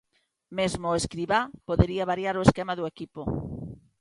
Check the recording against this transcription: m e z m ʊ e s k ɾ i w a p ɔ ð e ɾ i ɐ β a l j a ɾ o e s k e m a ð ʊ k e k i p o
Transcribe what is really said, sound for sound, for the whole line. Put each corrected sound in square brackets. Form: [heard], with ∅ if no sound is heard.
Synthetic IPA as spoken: m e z m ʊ e s k ɾ i [β] a p [o] ð e ɾ i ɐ β a [ɾ] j a ɾ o e s k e m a ð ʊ [∅] e k i p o